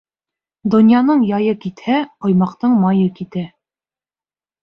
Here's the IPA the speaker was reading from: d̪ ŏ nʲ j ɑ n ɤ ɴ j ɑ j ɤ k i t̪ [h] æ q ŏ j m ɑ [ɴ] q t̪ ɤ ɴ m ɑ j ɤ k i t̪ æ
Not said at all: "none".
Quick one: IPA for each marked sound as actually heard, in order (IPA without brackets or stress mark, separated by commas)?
h, none